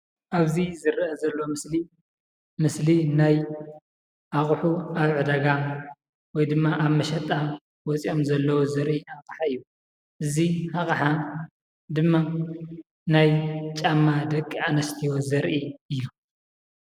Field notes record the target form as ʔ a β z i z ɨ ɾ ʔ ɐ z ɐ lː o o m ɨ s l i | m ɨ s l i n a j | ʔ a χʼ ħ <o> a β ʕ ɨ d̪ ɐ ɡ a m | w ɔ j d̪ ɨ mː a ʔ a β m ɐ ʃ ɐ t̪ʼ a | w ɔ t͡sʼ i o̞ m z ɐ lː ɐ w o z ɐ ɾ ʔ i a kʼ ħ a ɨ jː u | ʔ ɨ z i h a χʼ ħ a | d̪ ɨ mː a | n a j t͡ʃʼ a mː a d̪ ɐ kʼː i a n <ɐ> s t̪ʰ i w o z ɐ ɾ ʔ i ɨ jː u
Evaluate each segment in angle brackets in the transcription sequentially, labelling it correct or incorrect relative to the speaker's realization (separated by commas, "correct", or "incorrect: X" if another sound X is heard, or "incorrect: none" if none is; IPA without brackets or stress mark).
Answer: incorrect: u, correct